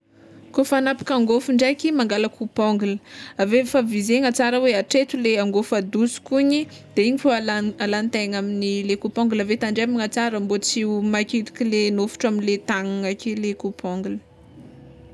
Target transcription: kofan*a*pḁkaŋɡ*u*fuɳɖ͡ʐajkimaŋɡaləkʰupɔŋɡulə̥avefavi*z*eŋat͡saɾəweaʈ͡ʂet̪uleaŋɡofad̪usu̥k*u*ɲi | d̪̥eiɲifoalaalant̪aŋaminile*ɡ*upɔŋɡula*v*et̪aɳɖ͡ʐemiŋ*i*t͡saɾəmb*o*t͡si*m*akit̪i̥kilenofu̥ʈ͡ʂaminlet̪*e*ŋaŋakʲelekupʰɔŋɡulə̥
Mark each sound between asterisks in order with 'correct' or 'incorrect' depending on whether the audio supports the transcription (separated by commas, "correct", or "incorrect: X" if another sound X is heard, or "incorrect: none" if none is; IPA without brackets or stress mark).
correct, incorrect: o, correct, correct, incorrect: k, correct, incorrect: a, correct, correct, incorrect: a